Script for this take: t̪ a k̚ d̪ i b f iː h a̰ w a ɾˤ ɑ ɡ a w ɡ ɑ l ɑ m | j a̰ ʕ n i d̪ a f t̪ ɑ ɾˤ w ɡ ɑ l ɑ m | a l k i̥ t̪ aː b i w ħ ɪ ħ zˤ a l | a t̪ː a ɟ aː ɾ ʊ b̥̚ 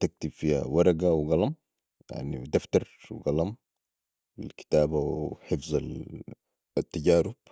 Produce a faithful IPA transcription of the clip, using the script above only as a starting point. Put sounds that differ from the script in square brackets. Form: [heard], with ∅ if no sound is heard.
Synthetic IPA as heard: t̪ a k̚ [t̪] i b f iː h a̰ w [ɑ] ɾˤ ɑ ɡ a w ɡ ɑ l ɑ m | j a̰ ʕ n i d̪ a f t̪ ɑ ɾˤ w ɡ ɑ l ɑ m | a l k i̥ t̪ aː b [a] w ħ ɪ [f] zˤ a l | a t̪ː a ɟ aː ɾ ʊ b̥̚